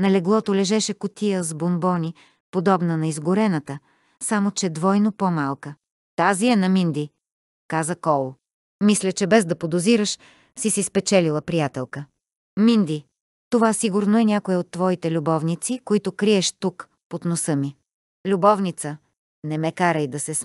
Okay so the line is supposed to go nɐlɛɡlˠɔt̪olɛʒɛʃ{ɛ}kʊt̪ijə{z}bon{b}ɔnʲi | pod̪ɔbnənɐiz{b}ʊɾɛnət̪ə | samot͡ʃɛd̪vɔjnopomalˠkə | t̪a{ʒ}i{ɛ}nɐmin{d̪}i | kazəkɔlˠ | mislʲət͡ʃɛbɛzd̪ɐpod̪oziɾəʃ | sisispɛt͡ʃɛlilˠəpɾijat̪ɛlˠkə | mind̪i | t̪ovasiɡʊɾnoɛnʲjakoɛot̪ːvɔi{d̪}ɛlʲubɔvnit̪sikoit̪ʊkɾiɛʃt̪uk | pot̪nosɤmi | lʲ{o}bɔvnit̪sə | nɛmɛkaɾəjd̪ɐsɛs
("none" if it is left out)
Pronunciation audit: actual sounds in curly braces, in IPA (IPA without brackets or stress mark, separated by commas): ɛ, z, b, ɡ, z, ɛ, d̪, t̪, u